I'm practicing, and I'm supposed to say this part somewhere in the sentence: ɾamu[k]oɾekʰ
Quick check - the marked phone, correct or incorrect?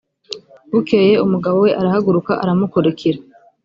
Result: correct